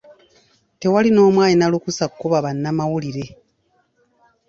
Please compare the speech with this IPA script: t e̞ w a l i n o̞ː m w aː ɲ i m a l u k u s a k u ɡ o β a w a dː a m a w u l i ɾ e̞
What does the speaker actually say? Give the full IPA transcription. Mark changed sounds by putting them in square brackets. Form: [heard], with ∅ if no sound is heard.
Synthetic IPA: t e̞ w a l i n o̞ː m w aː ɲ i [n] a l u k u s a k u [k] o β a [β] a [nː] a m a w u l i ɾ e̞